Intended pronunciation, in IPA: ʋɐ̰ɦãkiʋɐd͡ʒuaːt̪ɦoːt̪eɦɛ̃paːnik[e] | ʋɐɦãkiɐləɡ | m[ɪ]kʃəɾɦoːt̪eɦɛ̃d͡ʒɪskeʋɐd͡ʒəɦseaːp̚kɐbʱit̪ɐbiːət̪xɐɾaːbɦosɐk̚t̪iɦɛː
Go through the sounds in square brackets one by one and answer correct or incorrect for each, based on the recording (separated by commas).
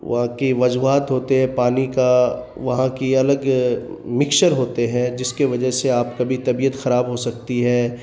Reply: incorrect, correct